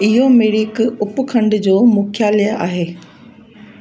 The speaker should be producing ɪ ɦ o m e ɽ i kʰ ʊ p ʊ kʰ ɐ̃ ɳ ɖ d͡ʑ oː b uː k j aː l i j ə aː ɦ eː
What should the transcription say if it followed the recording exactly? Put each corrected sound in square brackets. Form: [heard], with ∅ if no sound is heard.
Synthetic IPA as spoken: ɪ ɦ o m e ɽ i [k] ʊ p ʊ kʰ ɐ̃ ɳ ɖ d͡ʑ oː [m] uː [kʰ] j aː l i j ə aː ɦ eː